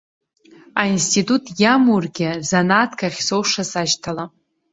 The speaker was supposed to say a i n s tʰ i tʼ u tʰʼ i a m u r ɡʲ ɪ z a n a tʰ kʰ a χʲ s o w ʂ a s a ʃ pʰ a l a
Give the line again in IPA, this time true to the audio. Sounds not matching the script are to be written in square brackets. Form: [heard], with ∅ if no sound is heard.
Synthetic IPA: a i n s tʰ i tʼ u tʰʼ [j] a m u r ɡʲ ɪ z a n a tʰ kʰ a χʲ s o w ʂ a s a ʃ [tʰ] a l a